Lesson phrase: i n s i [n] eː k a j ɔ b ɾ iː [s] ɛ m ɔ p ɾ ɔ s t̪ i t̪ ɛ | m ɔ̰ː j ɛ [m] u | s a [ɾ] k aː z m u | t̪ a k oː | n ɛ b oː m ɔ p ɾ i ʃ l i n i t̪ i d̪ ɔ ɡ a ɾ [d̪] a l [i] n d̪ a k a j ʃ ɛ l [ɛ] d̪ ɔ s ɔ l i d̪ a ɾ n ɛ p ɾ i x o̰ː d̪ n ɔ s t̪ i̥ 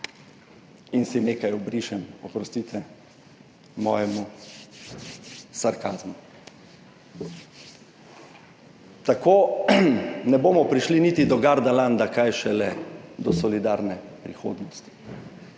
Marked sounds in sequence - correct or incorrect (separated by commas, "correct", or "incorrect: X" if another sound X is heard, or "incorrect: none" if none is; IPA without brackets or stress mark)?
correct, incorrect: ʃ, correct, correct, correct, incorrect: a, correct